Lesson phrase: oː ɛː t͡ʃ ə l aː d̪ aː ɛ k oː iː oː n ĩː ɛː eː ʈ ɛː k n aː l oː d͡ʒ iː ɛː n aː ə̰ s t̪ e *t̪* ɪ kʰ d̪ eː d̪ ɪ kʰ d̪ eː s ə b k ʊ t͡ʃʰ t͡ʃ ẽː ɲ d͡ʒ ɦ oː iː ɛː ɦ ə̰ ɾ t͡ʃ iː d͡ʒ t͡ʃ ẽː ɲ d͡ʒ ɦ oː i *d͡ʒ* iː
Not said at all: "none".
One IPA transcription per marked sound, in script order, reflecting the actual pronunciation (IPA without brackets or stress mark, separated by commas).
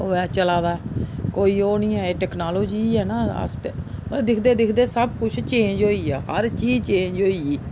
d̪, none